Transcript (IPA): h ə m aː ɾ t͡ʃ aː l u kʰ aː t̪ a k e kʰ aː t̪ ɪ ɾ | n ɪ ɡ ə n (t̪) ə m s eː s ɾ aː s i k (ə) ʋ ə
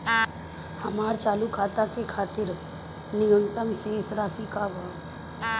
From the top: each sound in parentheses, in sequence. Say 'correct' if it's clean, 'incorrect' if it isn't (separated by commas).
correct, incorrect